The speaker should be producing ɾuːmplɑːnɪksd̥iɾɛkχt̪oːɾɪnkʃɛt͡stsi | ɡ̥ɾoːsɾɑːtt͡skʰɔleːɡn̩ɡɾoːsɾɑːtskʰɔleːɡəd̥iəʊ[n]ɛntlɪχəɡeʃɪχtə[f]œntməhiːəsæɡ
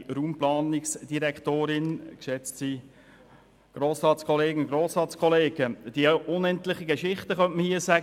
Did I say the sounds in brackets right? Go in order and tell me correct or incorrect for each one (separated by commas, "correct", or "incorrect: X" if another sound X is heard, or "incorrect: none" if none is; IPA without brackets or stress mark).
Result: correct, incorrect: χ